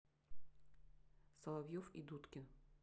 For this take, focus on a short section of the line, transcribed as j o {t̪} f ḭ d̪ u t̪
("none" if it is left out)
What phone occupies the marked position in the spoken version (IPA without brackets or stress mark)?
none